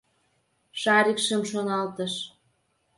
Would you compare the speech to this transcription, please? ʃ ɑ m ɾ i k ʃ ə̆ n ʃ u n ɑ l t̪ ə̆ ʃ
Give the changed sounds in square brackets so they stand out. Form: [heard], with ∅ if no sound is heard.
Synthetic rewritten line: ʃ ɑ [∅] ɾ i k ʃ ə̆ [m] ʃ [o] n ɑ l t̪ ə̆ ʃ